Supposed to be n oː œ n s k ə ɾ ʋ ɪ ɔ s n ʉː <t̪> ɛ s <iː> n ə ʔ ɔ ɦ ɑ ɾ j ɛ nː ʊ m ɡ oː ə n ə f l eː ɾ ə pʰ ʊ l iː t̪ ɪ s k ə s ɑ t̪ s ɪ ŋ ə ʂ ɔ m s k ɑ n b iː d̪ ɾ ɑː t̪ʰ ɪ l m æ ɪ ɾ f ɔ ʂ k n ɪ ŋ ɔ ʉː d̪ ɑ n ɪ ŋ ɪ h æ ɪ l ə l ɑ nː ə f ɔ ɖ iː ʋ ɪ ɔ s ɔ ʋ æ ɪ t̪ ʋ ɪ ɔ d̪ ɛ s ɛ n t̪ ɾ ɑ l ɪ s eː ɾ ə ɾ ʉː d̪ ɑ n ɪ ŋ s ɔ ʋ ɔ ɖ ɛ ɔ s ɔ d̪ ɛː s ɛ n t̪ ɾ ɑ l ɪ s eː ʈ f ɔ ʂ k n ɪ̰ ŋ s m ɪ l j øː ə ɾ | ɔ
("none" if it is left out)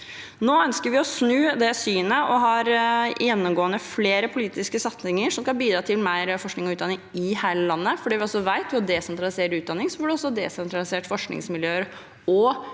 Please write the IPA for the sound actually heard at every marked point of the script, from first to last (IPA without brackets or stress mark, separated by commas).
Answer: d̪, yː